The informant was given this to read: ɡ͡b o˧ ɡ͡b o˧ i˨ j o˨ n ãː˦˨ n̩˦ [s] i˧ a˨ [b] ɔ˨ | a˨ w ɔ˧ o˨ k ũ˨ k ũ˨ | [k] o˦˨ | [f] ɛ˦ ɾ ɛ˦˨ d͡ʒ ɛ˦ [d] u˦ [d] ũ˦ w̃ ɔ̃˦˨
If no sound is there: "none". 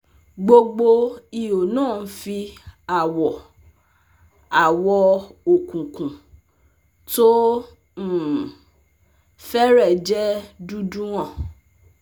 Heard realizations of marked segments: f, w, t, f, d, d

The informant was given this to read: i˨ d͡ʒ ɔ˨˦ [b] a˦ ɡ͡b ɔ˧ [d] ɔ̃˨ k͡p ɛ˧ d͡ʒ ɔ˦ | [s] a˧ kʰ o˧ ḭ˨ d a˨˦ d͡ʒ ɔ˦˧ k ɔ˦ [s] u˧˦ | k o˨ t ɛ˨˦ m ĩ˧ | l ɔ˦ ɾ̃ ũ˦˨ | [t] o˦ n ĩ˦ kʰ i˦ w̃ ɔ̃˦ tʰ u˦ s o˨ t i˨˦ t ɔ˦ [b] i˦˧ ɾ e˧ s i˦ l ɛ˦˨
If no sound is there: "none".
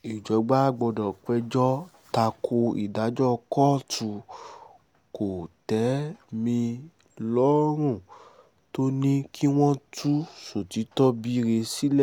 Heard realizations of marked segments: ɡ͡b, d, t, t, t, b

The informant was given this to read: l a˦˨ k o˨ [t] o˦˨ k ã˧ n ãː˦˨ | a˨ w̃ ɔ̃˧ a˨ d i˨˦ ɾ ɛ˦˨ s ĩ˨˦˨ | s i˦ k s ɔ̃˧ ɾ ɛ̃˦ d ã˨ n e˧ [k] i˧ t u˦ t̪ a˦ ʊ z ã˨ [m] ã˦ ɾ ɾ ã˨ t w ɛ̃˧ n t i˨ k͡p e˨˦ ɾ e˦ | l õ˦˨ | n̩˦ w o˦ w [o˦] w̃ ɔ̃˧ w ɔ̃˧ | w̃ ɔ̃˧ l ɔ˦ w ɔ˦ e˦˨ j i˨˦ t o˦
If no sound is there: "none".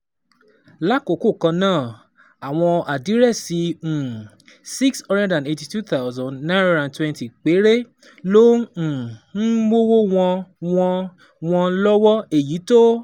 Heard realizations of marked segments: k, t, n, o˦

